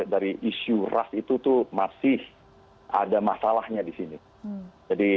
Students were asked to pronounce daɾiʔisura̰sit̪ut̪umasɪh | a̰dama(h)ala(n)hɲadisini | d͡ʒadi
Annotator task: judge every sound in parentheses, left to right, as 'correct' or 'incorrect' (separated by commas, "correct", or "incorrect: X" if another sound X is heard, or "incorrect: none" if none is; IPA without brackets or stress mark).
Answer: incorrect: s, incorrect: none